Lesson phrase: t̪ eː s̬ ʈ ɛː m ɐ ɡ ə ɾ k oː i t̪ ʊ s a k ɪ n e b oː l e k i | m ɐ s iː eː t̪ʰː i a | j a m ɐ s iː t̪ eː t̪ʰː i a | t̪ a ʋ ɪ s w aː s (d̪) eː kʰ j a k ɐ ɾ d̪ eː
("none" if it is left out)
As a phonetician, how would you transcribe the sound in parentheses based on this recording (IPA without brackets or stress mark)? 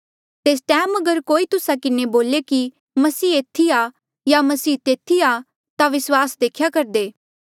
d̪